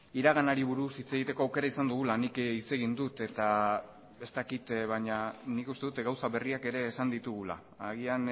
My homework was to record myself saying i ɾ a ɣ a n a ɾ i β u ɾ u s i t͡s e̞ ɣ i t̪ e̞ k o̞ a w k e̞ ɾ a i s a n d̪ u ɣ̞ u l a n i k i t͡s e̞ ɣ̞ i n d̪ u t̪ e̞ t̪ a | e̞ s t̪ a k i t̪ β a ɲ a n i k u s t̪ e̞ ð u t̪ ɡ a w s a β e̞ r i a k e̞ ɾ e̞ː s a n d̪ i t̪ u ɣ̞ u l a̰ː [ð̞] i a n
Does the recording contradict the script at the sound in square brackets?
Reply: yes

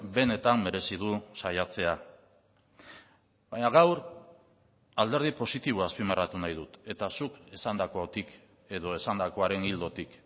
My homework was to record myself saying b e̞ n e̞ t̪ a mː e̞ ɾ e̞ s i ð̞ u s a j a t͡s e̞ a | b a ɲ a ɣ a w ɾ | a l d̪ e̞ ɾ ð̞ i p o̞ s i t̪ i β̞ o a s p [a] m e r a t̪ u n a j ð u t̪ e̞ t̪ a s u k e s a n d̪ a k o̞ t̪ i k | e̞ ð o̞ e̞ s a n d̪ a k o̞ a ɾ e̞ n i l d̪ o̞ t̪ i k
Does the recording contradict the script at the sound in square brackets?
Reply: yes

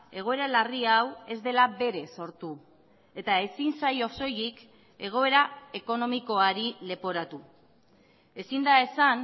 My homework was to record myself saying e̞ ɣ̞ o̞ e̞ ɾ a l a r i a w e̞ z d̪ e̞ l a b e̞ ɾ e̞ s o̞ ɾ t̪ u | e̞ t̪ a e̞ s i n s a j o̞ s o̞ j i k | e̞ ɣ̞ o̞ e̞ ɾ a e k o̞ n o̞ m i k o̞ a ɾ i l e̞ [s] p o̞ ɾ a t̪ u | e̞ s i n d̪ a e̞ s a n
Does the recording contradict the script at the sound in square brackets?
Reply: yes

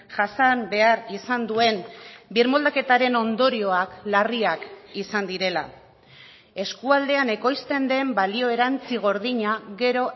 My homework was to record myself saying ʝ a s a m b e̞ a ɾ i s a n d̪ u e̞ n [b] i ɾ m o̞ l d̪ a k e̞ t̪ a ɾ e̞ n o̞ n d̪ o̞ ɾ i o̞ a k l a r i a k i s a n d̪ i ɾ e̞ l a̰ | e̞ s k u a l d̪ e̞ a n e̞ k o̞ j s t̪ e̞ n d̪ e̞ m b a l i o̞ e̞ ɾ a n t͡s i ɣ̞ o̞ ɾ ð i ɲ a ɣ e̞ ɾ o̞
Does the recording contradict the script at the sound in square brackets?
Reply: no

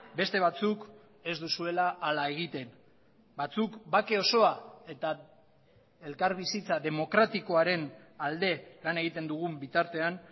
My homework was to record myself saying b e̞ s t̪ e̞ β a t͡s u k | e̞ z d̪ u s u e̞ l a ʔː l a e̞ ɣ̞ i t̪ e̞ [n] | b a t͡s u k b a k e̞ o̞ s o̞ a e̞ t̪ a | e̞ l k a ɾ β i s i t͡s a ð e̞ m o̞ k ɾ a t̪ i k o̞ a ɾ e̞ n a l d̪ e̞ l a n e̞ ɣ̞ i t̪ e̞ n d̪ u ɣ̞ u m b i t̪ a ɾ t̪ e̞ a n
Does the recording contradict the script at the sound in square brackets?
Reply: no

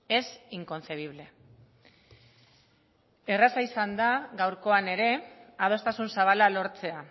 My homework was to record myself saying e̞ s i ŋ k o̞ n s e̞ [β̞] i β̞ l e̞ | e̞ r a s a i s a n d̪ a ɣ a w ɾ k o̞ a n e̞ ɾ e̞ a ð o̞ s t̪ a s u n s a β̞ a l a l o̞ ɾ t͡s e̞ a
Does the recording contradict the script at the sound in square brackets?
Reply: no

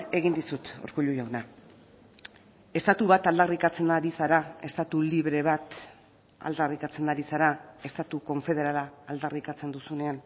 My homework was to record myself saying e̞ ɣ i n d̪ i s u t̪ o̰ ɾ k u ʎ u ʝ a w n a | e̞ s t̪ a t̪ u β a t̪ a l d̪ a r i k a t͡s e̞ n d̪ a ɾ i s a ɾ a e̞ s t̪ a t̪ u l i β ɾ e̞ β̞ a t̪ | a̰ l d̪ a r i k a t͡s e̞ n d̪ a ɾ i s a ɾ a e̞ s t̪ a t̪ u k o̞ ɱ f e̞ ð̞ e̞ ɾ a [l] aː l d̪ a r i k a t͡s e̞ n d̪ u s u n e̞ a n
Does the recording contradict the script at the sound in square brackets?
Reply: no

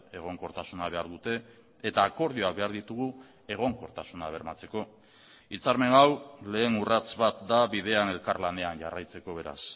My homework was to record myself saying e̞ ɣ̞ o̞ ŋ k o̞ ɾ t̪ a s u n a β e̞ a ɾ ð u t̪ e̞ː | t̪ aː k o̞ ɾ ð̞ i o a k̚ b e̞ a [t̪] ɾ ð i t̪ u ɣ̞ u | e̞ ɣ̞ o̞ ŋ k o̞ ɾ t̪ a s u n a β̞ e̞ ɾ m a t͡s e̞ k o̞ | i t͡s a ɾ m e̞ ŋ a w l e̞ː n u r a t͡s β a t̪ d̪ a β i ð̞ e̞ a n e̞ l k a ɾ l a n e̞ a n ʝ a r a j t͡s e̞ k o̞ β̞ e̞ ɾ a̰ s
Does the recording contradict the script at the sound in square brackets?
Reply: yes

